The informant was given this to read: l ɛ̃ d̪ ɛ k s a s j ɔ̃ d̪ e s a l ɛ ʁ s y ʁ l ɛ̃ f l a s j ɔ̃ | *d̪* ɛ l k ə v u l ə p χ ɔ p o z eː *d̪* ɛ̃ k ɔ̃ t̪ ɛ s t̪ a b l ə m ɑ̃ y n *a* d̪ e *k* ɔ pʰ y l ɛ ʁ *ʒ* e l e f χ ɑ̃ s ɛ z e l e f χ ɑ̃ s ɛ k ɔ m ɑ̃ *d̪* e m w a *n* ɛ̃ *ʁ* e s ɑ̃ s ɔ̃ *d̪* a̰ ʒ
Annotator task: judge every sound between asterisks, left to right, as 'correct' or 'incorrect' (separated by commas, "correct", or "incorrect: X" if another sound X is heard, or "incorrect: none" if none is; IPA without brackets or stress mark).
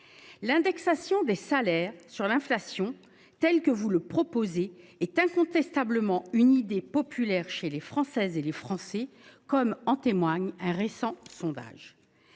incorrect: t̪, incorrect: t̪, incorrect: i, incorrect: p, incorrect: ʃ, incorrect: t̪, incorrect: ɲ, correct, correct